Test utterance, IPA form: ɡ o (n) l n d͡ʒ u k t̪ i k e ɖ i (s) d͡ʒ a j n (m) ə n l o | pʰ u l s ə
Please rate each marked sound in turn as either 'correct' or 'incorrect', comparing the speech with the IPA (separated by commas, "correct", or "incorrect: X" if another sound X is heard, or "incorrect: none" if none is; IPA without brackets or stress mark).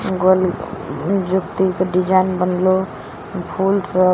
incorrect: none, incorrect: none, incorrect: b